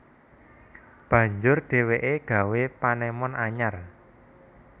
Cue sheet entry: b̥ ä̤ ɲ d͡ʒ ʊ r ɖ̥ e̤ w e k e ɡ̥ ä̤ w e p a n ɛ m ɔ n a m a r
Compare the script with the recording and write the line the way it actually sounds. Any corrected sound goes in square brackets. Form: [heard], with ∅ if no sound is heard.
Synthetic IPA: b̥ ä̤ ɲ d͡ʒ ʊ r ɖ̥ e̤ w e [ʔ] e ɡ̥ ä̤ w e p a n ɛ m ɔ n a [ɲ] a r